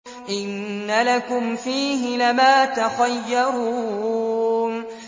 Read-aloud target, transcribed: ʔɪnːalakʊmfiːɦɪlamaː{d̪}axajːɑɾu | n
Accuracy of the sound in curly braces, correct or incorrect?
incorrect